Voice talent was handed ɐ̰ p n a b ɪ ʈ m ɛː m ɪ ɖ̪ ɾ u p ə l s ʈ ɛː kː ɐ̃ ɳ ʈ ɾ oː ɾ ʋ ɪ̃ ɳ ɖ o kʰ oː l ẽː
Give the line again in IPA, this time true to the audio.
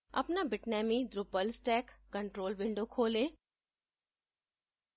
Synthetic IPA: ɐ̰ p n a b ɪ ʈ n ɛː m i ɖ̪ ɾ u p ə l s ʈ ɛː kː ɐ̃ ɳ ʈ ɾ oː l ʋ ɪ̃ ɳ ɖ o kʰ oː l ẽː